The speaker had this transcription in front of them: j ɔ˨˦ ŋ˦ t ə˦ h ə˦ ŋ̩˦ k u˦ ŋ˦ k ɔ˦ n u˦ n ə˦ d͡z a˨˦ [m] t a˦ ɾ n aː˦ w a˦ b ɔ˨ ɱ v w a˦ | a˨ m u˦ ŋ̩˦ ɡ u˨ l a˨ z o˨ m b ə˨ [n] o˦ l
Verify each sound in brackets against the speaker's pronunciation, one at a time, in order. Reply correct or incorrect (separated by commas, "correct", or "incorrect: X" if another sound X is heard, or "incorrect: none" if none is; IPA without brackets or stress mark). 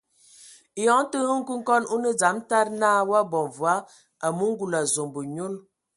correct, incorrect: ɲ